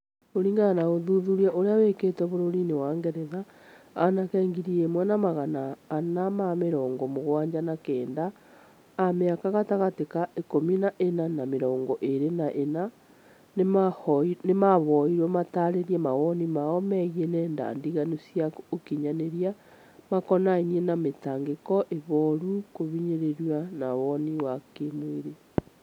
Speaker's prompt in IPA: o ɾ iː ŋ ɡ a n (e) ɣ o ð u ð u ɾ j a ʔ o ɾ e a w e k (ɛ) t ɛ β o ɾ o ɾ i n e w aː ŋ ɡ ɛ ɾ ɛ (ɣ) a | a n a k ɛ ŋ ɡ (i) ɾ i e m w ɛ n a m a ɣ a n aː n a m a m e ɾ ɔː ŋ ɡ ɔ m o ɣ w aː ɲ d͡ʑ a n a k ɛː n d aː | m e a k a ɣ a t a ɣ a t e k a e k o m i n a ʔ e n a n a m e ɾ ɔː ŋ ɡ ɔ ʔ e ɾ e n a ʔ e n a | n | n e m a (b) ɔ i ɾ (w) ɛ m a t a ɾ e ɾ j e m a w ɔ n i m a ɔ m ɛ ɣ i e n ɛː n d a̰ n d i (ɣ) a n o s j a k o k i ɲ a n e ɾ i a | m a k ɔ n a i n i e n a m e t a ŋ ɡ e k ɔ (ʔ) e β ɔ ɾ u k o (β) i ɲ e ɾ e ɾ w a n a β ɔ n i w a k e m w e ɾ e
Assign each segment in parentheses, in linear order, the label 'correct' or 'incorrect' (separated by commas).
incorrect, incorrect, incorrect, correct, incorrect, correct, correct, correct, correct